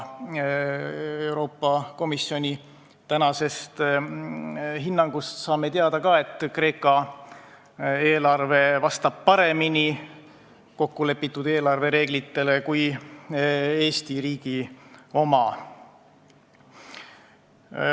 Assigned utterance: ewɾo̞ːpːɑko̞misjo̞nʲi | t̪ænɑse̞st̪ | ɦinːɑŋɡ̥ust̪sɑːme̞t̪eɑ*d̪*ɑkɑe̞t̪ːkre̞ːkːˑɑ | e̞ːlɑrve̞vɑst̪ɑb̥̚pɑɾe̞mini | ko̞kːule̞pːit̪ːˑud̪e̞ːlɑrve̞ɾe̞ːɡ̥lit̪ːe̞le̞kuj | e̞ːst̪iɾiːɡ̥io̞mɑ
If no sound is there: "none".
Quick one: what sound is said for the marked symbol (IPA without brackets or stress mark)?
d̪